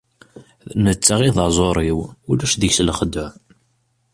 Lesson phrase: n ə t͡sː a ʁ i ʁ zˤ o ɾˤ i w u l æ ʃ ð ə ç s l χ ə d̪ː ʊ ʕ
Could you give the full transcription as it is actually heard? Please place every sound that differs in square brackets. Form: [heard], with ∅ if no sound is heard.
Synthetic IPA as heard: n ə t͡sː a ʁ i [ð] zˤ o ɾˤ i w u l æ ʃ ð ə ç s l χ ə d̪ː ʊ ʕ